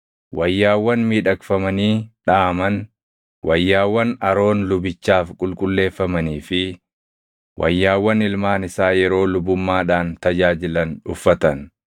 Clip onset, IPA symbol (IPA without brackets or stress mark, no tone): w